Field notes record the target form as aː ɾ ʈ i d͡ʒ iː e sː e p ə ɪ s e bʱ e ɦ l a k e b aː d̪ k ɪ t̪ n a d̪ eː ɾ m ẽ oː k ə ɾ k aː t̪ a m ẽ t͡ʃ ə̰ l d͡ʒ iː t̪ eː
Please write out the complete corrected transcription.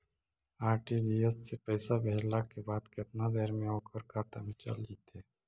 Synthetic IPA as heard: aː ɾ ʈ i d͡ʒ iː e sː e p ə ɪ s a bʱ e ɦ l a k e b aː d̪ k ɪ t̪ n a d̪ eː ɾ m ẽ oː k ə ɾ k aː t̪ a m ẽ t͡ʃ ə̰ l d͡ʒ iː t̪ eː